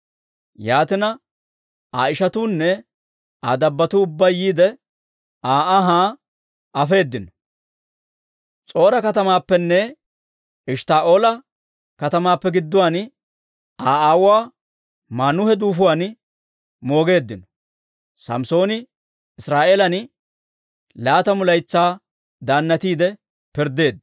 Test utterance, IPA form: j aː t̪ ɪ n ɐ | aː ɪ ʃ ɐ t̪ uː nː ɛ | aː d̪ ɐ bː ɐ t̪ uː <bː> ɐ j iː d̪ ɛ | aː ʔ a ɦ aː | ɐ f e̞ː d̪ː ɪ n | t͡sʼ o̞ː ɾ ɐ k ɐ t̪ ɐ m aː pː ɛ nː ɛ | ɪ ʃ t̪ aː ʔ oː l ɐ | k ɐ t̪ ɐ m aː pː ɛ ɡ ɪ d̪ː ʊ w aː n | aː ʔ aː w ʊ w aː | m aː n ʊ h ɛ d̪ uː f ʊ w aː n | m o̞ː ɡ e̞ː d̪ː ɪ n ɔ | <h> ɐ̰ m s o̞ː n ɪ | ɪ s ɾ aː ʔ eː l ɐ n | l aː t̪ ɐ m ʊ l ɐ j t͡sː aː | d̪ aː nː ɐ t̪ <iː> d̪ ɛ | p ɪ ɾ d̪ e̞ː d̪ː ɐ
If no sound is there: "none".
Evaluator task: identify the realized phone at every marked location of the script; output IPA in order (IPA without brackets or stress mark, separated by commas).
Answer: bː, s, iː